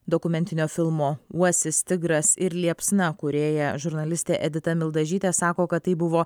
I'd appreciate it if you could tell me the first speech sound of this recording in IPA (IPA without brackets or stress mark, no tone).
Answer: d̪